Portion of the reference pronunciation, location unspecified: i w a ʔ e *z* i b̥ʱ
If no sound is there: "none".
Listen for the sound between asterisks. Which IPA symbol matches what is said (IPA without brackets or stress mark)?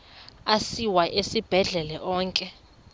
s